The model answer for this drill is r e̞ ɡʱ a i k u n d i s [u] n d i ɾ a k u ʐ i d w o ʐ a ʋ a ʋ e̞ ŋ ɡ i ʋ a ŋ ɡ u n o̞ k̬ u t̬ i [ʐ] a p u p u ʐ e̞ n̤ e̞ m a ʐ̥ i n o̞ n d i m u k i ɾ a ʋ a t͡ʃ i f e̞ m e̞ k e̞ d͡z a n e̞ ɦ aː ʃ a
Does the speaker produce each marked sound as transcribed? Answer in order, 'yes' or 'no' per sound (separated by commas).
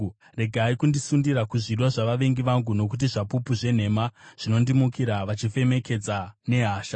yes, yes